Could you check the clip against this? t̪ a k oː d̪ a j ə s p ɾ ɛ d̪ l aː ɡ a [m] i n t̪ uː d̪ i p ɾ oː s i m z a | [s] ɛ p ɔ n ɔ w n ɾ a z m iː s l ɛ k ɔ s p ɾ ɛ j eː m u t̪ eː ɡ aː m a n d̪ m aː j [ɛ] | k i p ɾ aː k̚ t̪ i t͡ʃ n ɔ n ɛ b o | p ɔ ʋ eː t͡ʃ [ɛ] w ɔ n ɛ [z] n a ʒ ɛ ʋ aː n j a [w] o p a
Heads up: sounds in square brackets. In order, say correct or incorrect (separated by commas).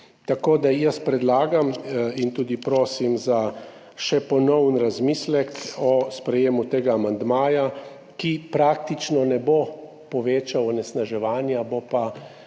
correct, incorrect, incorrect, incorrect, incorrect, incorrect